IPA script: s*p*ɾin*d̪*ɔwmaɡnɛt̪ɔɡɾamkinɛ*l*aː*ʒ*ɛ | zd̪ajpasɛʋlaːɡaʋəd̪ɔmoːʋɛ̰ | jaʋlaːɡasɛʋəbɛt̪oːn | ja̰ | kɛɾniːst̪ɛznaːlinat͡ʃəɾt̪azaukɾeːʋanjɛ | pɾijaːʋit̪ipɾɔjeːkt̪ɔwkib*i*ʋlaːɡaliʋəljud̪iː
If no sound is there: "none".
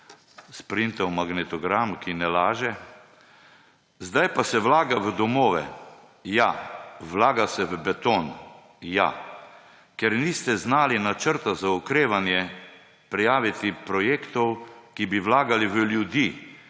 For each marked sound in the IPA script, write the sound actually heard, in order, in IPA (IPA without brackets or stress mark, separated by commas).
p, t̪, l, ʒ, i